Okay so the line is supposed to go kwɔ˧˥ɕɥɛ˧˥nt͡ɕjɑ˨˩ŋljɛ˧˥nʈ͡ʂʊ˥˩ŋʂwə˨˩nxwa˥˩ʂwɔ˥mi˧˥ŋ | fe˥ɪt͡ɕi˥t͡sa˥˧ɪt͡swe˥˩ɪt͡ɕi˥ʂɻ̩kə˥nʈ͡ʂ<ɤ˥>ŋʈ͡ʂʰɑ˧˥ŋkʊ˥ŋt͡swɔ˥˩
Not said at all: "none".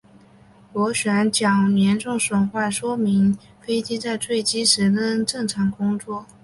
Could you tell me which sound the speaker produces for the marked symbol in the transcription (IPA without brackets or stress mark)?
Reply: ɤ˥˩